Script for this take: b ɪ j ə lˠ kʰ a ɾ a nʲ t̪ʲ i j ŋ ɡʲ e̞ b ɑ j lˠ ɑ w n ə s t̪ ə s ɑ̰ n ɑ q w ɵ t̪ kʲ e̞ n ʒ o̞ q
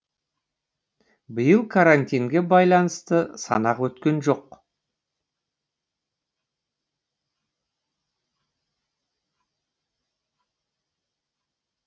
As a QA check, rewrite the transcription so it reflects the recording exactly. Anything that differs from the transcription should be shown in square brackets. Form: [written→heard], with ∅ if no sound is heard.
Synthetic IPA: b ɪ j ə lˠ kʰ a ɾ a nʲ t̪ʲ i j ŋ ɡʲ e̞ b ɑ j lˠ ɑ [w→∅] n ə s t̪ ə s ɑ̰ n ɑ q w ɵ t̪ kʲ e̞ n ʒ o̞ q